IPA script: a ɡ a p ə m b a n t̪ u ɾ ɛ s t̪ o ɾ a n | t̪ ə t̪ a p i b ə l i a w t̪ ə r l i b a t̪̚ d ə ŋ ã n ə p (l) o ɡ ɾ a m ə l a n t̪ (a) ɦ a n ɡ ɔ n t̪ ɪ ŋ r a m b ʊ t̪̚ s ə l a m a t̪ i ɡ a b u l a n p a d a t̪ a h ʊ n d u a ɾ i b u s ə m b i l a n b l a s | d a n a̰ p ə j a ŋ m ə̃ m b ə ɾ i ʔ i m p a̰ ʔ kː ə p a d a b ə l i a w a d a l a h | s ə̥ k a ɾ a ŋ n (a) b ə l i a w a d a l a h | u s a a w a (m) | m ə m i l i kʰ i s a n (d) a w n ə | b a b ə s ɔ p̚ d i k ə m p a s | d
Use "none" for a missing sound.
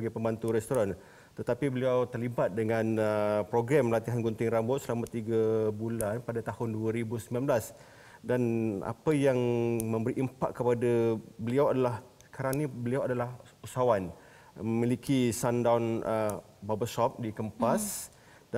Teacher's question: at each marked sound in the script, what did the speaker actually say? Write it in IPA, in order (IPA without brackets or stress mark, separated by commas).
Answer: ɾ, i, i, n, d